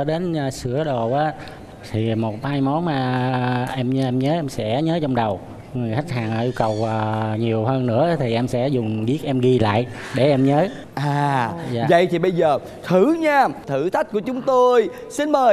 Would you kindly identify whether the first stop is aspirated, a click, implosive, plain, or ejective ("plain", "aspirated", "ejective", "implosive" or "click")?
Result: implosive